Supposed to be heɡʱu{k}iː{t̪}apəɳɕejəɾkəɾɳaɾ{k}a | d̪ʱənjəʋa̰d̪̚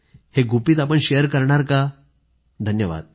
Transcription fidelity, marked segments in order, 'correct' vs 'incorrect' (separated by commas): incorrect, correct, correct